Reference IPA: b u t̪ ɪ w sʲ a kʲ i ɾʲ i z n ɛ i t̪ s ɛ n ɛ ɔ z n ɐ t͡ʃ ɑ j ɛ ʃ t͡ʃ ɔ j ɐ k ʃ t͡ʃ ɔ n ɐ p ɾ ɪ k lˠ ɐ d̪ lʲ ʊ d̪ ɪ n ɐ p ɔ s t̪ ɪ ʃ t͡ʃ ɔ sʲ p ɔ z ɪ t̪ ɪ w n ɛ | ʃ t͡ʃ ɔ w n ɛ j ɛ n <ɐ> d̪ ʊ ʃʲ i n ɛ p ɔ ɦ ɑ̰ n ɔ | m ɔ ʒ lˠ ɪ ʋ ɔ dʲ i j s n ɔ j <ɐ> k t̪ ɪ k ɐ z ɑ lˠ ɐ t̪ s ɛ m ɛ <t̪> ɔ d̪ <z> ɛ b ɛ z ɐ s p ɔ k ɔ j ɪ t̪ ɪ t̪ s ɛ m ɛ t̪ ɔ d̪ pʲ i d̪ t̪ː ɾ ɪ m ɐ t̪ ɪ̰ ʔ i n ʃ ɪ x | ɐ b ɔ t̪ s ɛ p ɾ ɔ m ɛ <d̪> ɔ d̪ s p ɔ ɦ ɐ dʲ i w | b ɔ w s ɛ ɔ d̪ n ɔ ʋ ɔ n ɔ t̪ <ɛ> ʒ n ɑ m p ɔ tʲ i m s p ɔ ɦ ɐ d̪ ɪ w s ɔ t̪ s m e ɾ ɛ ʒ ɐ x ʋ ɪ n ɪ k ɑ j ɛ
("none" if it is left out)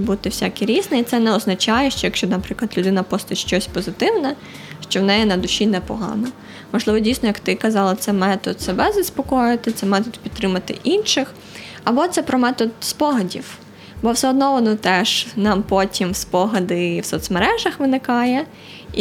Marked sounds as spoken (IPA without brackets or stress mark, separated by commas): ɐ, ɐ, t̪, s, t̪, ɛ